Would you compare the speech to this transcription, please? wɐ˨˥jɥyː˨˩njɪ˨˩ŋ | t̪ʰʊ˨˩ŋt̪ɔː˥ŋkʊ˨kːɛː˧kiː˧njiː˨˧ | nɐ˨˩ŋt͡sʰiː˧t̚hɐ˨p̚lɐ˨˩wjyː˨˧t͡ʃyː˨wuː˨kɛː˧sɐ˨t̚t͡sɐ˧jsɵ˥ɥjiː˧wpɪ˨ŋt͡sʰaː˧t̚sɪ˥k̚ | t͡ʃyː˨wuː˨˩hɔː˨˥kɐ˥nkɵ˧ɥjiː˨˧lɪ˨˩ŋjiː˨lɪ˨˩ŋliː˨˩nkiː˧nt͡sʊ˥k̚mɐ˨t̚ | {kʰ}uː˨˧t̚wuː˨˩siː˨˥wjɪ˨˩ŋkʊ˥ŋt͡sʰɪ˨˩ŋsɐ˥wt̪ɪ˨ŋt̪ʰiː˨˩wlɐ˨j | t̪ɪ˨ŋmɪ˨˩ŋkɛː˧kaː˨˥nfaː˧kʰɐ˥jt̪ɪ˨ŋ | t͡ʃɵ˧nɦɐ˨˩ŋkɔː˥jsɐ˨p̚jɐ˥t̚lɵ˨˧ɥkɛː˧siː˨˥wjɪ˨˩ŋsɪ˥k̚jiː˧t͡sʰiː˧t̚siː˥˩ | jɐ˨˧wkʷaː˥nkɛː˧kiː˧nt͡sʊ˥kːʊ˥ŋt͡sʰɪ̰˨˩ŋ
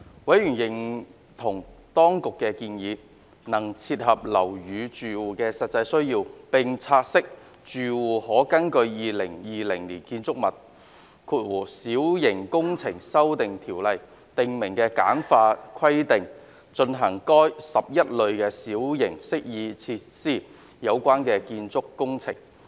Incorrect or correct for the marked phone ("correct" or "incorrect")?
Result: correct